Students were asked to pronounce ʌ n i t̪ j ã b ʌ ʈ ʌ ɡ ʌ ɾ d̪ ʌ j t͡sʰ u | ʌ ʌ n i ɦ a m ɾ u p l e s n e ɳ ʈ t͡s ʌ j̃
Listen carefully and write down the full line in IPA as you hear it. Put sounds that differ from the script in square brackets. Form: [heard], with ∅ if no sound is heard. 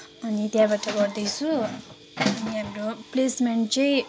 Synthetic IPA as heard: ʌ n i t̪ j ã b [a] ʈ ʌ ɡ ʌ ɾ d̪ ʌ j t͡sʰ u | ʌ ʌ n i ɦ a m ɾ [o] p l e s [m] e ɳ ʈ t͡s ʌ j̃